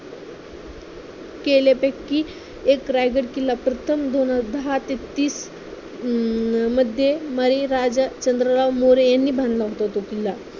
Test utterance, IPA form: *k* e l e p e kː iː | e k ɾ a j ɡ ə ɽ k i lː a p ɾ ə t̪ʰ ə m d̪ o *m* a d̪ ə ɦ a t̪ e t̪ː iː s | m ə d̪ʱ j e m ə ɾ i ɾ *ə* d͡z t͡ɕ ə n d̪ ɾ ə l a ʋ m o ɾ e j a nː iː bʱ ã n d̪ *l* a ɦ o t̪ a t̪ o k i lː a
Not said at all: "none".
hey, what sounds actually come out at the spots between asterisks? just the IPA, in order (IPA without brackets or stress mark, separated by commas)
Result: k, n, a, l